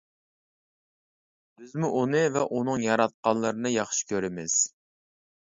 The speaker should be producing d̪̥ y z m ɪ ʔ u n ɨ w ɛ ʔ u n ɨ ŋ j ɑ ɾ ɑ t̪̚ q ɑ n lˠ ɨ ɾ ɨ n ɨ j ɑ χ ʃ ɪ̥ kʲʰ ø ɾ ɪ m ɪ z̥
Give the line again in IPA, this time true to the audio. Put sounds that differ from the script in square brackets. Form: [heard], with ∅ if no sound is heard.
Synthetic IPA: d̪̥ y z m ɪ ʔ u n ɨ [v] ɛ ʔ u n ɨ ŋ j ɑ ɾ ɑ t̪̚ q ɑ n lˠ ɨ ɾ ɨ n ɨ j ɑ χ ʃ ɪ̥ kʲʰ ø ɾ ɪ m ɪ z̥